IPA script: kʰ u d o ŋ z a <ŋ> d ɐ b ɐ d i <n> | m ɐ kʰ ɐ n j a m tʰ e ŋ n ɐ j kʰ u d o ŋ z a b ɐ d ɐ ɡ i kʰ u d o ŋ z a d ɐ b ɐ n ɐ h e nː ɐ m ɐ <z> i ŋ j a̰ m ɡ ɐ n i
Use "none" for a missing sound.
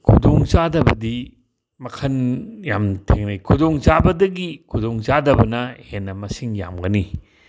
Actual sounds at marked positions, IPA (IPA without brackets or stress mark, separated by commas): none, none, s